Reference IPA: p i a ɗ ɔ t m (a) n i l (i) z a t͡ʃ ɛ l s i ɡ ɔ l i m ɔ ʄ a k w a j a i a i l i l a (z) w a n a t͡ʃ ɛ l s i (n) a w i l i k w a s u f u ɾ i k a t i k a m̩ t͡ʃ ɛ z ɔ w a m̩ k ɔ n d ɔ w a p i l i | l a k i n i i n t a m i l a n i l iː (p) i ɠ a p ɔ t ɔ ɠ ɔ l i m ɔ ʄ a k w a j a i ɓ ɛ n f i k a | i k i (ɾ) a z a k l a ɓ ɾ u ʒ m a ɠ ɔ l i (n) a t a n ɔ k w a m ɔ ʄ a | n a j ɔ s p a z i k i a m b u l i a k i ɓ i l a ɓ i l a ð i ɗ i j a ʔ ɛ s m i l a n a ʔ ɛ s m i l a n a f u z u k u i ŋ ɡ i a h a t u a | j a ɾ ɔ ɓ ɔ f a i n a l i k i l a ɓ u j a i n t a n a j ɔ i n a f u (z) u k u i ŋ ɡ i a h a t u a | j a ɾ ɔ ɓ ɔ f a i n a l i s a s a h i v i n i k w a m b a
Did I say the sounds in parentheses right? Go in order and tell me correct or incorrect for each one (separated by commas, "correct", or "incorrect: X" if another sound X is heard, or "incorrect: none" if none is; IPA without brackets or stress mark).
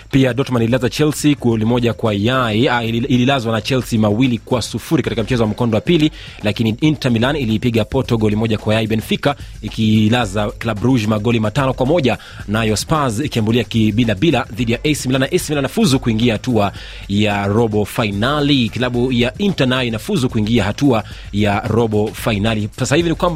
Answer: correct, incorrect: a, correct, incorrect: m, correct, incorrect: l, incorrect: m, correct